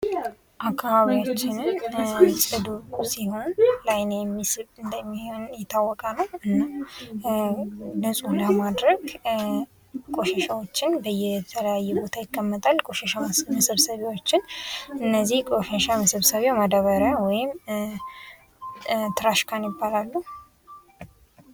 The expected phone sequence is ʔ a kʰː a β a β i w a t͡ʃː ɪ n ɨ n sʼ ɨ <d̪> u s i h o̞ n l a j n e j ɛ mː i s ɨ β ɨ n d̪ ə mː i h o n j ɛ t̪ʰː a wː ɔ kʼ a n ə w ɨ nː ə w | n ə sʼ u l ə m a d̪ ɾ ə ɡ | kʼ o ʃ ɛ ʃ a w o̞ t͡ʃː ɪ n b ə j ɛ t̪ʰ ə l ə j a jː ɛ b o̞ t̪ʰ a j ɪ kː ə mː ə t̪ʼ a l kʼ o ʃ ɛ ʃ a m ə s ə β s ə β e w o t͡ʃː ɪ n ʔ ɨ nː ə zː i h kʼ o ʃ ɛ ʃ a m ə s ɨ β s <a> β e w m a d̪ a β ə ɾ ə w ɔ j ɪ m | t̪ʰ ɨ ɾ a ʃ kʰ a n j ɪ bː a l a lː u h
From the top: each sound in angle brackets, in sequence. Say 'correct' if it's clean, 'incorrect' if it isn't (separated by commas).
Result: correct, incorrect